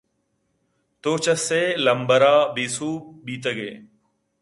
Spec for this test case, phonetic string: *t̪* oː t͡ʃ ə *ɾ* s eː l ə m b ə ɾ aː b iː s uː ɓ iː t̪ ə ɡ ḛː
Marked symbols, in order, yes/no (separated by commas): yes, no